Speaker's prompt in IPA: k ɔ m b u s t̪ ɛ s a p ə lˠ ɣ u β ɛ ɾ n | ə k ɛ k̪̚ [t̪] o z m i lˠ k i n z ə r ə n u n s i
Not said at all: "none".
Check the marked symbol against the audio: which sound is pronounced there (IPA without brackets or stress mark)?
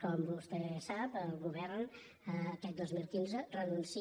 d̪